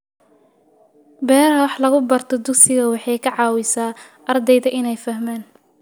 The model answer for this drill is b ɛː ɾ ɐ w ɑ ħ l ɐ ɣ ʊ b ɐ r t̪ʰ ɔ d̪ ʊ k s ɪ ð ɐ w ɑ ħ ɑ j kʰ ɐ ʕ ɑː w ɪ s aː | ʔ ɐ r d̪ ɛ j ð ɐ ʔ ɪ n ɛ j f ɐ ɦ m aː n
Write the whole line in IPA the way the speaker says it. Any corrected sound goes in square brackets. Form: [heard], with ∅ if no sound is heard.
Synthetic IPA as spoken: b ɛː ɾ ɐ w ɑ ħ l ɐ ɣ ʊ b ɐ r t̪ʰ ɔ d̪ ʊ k s ɪ [ɣ] ɐ w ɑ ħ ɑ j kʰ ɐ ʕ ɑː w ɪ s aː | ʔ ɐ r d̪ ɛ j ð ɐ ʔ ɪ n ɛ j f ɐ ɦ m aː n